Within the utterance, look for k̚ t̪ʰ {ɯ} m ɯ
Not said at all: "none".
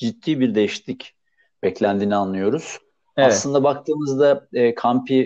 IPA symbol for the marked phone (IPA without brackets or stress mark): ɯː